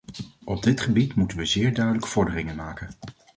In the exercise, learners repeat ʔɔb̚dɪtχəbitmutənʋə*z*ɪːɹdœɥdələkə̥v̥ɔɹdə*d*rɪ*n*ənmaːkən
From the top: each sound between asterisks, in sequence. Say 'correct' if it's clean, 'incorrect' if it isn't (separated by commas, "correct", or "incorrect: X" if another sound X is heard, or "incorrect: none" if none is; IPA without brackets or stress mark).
correct, incorrect: none, incorrect: ŋ